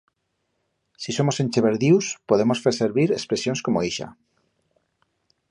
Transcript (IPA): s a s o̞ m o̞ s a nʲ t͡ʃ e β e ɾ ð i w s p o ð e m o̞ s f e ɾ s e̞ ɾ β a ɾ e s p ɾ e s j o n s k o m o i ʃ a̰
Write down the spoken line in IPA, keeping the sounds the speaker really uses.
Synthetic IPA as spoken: s i s o̞ m o̞ s e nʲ t͡ʃ e β e ɾ ð i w s p o ð e m o̞ s f e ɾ s e̞ ɾ β i ɾ e s p ɾ e s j o n s k o m o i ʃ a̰

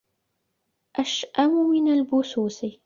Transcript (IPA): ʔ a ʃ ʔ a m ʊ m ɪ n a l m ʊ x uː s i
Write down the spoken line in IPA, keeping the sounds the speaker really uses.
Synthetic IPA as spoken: ʔ a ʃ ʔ a m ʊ m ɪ n a l b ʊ s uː s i

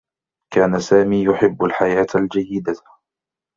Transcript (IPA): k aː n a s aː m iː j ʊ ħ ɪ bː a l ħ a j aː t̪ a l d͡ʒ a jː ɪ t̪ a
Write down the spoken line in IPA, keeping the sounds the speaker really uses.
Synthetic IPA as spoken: k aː n a s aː m iː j ʊ ħ ɪ bː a l ħ a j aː t̪ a l d͡ʒ a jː ɪ d̪ a

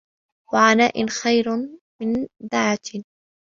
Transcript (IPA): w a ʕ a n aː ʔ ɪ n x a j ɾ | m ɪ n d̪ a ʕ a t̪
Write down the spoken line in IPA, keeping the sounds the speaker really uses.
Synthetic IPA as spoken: w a ʕ a n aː ʔ ɪ n x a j ɾ | m ɪ n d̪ a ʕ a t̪

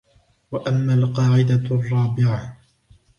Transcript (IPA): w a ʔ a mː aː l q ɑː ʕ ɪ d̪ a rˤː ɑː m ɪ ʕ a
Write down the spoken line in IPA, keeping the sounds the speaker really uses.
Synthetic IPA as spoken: w a ʔ a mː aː l q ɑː ʕ ɪ d̪ a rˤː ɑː b ɪ ʕ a

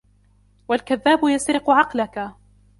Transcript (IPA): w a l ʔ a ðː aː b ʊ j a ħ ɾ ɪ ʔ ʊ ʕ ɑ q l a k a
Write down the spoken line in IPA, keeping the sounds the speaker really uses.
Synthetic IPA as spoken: w a l k a ðː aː b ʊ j a s ɾ ɪ q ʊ ʕ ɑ q l a k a

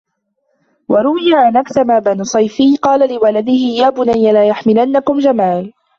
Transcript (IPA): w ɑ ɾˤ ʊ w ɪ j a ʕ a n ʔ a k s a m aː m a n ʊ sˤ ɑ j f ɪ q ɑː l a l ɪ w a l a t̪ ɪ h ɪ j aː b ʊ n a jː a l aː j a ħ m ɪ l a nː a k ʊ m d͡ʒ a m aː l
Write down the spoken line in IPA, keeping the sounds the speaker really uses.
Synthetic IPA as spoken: w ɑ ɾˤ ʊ w ɪ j a ʕ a n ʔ a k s a m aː b a n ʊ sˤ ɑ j f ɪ q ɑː l a l ɪ w a l a d̪ ɪ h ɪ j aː b ʊ n a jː a l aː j a ħ m ɪ l a nː a k ʊ m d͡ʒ a m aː l

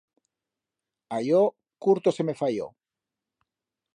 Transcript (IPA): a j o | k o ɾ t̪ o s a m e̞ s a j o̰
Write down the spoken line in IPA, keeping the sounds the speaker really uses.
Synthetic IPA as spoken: a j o | k u ɾ t̪ o s e m e̞ f a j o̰

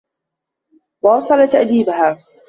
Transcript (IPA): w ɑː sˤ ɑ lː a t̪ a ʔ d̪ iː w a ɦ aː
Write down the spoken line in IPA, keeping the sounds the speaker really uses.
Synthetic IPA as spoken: w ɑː sˤ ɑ l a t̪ a ʔ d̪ iː b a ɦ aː

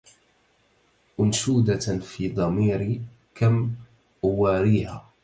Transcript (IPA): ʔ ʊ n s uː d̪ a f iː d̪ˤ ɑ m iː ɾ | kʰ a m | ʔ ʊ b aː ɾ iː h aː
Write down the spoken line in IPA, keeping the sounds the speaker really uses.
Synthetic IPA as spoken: ʔ ʊ n ʃ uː d̪ a f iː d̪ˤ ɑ m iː ɾ | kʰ a m | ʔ ʊ w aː ɾ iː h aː

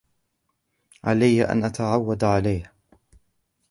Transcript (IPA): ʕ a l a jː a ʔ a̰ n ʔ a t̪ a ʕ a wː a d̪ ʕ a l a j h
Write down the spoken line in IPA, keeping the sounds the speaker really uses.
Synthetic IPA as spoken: ʕ a l a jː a ʔ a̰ n ʔ a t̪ a ʕ a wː a d̪ ʕ a l a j h

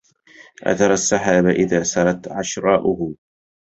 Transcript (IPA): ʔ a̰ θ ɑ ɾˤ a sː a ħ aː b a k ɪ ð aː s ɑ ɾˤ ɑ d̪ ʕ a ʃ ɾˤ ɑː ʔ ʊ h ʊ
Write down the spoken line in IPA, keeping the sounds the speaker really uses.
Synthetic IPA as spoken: ʔ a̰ θ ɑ ɾˤ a sː a ħ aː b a ʔ ɪ ð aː s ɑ ɾˤ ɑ t̪ ʕ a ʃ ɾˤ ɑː ʔ ʊ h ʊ

